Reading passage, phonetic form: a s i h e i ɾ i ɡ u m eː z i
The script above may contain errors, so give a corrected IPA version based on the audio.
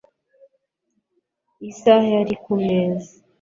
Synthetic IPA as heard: i s a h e a ɾ i k u m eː z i